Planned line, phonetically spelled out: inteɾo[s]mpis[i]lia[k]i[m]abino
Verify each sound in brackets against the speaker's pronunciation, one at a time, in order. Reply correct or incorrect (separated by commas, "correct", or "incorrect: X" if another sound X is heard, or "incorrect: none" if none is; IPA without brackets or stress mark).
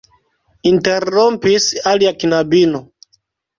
incorrect: none, incorrect: a, correct, incorrect: n